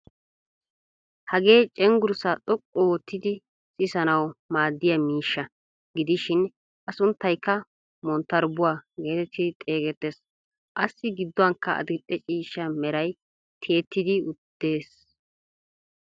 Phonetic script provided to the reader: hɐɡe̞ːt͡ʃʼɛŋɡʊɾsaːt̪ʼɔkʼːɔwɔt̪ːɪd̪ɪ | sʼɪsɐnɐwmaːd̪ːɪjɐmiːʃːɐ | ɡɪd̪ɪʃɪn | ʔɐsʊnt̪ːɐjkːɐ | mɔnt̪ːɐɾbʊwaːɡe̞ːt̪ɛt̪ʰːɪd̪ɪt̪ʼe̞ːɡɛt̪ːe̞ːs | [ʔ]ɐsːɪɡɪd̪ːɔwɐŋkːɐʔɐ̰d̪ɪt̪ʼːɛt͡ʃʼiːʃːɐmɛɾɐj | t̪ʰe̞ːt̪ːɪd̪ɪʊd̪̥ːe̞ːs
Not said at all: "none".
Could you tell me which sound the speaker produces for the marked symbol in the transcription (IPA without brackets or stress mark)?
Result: ʔ